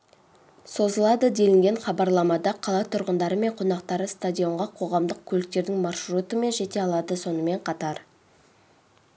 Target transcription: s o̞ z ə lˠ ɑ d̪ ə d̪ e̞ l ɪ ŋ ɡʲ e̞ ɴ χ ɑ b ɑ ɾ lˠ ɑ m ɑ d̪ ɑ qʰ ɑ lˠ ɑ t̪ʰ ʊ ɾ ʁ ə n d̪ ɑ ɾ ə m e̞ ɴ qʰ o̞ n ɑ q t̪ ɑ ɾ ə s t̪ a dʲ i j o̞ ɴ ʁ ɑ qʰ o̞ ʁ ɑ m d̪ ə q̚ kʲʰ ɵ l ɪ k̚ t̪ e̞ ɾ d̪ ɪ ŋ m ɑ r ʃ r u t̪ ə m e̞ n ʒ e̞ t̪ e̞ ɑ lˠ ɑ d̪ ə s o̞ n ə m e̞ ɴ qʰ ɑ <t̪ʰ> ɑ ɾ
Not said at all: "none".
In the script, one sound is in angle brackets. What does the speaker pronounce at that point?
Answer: t̪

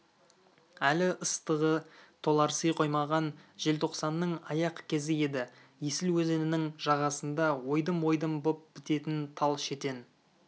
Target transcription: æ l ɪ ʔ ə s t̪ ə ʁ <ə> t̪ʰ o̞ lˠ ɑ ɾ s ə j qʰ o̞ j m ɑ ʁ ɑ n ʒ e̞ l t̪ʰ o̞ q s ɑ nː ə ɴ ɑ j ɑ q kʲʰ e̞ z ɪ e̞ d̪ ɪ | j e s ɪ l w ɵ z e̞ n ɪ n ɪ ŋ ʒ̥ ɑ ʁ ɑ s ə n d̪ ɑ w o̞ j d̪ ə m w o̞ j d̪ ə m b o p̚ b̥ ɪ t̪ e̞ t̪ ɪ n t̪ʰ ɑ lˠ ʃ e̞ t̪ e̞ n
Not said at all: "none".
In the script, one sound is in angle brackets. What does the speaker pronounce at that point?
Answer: ə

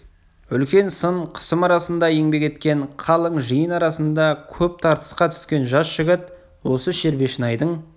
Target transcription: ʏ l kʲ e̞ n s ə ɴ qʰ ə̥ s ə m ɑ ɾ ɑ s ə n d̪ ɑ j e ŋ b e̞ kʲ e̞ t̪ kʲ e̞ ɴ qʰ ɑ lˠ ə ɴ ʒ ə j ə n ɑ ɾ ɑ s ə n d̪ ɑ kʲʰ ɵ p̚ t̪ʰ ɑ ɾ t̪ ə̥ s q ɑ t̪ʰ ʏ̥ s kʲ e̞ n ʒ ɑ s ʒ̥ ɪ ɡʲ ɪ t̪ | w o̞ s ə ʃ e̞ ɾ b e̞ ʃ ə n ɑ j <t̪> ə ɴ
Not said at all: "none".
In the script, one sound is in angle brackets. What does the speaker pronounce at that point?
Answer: d̪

